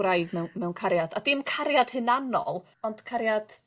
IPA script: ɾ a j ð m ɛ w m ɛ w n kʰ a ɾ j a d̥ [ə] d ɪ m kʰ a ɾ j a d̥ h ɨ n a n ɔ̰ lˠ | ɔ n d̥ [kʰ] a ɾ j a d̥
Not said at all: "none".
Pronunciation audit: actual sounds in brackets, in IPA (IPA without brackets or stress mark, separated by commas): a, kʰ